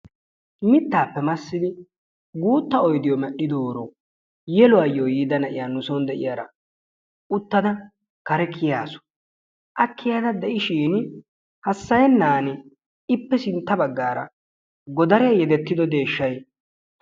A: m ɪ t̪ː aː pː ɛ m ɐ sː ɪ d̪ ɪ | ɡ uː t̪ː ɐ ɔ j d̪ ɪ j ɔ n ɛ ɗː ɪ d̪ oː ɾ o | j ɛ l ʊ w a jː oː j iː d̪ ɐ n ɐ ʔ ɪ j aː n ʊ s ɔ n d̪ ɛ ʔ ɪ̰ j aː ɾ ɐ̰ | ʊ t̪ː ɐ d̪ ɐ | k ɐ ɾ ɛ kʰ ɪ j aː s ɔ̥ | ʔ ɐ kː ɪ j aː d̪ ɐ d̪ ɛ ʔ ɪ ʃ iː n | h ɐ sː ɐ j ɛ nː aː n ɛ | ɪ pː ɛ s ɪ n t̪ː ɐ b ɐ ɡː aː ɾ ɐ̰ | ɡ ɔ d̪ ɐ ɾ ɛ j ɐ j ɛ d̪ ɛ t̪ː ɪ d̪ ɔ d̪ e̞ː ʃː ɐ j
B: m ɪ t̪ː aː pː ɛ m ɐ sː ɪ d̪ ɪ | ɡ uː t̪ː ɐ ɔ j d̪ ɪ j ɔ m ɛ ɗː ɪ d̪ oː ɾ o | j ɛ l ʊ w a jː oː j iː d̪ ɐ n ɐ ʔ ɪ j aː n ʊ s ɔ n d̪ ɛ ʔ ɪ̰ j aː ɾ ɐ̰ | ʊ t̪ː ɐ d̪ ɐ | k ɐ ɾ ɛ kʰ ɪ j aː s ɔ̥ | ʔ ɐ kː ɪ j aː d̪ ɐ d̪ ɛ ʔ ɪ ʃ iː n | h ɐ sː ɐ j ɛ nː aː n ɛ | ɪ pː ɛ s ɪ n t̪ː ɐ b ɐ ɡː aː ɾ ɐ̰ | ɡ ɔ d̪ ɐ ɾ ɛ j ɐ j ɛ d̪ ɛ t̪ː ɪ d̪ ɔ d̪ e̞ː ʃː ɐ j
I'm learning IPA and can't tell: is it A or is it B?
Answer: B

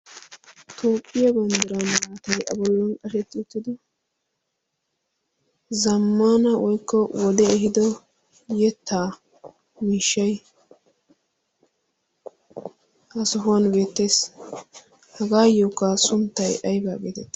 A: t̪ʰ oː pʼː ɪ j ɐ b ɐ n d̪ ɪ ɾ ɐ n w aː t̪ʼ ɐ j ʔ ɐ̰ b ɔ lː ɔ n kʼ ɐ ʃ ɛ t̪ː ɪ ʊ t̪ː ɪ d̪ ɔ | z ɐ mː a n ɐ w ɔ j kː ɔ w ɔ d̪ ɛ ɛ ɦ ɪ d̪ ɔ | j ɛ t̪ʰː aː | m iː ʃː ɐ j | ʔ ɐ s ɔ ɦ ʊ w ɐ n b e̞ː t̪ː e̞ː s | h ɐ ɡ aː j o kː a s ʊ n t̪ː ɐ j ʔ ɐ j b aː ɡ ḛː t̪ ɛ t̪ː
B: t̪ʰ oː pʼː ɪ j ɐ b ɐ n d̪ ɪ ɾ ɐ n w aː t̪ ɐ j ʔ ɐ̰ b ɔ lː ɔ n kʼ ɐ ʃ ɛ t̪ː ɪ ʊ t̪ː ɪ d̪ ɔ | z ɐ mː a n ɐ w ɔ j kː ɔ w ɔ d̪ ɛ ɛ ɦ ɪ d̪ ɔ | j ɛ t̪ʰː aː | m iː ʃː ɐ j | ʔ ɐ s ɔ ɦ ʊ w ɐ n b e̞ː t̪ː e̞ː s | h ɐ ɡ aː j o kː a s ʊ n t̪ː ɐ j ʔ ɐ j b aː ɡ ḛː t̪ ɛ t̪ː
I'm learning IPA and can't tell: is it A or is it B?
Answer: B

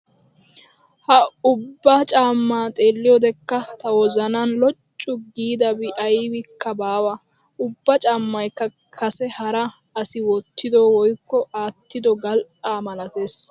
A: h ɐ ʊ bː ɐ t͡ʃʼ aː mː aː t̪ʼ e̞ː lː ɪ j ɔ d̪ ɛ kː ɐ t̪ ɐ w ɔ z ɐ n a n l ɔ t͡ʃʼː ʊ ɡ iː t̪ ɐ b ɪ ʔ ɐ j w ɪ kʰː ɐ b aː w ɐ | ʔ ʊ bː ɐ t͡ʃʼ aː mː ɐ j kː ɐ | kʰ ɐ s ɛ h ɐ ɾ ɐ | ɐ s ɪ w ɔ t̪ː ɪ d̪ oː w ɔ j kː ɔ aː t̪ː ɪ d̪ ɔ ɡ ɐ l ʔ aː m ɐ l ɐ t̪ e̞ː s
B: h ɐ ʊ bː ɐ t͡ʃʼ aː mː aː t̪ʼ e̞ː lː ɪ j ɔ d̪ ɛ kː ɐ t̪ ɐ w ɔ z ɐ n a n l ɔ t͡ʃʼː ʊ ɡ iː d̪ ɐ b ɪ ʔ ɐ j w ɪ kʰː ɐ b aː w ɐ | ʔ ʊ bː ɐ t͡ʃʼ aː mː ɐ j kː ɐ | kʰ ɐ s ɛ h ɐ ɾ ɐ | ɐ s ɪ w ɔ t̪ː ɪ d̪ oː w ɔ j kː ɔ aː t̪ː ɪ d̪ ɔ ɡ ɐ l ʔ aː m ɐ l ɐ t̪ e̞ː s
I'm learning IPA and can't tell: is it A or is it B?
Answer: B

